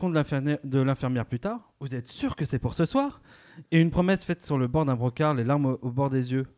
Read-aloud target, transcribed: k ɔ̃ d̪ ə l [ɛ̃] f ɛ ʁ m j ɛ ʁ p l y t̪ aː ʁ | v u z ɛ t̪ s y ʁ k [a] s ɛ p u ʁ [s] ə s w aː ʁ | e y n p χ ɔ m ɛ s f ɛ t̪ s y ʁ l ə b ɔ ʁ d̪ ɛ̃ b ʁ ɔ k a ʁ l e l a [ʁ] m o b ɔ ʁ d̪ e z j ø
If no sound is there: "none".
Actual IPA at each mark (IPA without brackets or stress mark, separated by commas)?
ɛ̃, ə, s, ʁ